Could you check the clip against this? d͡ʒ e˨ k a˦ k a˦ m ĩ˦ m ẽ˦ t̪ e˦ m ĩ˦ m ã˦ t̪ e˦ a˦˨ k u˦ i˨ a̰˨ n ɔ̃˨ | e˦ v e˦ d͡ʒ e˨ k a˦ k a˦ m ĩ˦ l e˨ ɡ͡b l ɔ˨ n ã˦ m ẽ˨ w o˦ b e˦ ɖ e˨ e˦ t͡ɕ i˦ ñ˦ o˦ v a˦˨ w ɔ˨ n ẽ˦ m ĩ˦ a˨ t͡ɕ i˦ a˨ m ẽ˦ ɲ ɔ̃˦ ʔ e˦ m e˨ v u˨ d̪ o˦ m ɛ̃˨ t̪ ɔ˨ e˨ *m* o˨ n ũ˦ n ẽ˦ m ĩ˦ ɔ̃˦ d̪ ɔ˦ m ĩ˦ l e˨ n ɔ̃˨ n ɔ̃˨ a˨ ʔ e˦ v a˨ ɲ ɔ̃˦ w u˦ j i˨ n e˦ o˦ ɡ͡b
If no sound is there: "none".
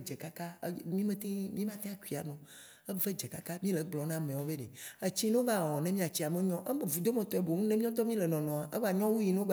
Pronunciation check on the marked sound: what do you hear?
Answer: b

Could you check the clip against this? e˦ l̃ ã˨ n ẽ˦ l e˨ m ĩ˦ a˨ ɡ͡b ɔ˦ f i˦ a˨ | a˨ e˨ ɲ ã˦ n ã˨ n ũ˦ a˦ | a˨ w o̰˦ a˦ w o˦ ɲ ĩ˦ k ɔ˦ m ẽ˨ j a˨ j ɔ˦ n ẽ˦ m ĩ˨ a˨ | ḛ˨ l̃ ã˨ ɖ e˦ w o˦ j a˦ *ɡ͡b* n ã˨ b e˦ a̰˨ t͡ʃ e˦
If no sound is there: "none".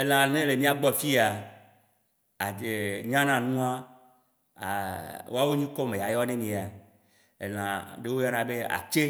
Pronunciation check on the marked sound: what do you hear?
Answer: none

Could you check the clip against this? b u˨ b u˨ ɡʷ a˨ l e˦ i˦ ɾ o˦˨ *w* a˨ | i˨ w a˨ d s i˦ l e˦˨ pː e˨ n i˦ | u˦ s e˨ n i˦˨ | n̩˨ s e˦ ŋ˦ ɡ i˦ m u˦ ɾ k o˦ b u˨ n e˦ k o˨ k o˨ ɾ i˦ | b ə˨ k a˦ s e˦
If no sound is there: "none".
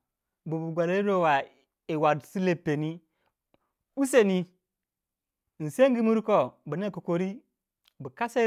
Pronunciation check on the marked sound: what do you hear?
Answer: w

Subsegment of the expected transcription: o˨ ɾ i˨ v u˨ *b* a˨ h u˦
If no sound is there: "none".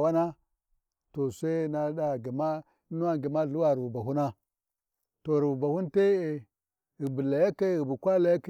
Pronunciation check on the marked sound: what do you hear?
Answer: b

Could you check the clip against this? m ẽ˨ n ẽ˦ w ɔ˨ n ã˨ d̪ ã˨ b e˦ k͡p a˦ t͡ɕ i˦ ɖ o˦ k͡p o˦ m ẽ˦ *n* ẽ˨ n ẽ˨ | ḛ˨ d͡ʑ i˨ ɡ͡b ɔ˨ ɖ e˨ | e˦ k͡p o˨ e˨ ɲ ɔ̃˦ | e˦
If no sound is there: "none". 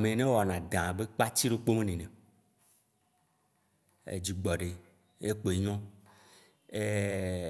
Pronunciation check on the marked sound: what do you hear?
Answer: n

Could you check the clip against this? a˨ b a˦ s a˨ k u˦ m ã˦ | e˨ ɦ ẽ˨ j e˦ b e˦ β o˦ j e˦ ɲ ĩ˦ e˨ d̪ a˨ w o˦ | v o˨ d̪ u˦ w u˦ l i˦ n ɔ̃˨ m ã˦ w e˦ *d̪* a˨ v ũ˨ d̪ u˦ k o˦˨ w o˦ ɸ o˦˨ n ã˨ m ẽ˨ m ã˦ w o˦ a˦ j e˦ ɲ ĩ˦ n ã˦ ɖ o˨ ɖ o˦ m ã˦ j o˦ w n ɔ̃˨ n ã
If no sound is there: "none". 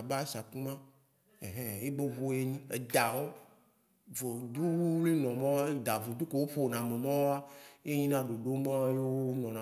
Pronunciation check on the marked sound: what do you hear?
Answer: d̪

